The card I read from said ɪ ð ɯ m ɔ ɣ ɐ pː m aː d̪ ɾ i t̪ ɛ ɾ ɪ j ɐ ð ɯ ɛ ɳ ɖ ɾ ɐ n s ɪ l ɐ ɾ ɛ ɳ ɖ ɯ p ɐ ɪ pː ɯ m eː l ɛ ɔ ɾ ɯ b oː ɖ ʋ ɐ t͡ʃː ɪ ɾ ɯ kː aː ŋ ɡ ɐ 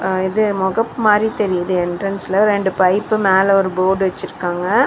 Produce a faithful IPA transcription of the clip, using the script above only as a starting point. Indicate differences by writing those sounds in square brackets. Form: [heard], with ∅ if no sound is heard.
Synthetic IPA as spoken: ɪ ð ɯ m ɔ ɣ ɐ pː m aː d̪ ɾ i t̪ ɛ ɾ ɪ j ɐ ð ɯ ɛ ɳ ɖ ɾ ɐ n s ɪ l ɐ ɾ ɛ ɳ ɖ ɯ p ɐ ɪ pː ɯ m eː l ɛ ɔ ɾ ɯ b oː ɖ ʋ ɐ t͡ʃː ɪ ɾ ɯ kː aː ŋ ɡ ɐ